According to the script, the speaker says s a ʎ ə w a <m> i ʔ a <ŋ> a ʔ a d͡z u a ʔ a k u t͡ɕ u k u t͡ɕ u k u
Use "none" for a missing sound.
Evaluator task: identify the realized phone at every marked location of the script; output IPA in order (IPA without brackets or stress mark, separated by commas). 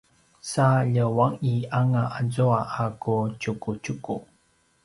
ŋ, ŋ